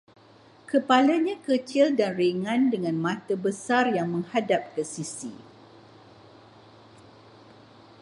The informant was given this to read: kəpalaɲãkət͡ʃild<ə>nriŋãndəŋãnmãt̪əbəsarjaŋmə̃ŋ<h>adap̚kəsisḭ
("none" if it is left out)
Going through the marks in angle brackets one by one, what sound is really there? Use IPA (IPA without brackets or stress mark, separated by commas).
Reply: a, h